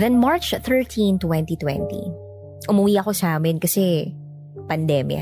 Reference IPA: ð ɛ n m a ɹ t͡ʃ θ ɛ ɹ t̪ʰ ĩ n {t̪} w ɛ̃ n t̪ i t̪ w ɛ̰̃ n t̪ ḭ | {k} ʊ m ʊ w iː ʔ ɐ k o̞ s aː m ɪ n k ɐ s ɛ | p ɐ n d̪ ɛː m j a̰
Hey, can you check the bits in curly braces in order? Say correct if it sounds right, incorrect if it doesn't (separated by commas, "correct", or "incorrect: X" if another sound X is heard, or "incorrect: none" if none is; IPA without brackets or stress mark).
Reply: correct, incorrect: ʔ